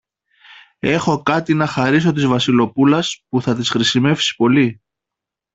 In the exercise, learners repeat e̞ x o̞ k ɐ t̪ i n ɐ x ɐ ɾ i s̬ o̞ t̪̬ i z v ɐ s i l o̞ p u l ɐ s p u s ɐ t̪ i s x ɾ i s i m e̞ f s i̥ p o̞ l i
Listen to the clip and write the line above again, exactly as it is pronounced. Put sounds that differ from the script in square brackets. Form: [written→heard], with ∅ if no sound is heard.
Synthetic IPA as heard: e̞ x o̞ k ɐ t̪ i n ɐ x ɐ ɾ i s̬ o̞ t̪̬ i z v ɐ s i l o̞ p u l ɐ s p u [s→θ] ɐ t̪ i s x ɾ i s i m e̞ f s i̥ p o̞ l i